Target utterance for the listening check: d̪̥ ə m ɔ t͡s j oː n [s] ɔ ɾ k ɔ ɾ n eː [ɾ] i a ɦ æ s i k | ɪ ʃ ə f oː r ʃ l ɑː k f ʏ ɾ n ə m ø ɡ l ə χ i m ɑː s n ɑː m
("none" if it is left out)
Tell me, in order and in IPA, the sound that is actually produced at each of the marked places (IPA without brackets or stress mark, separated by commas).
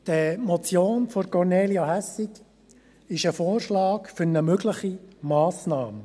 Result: f, l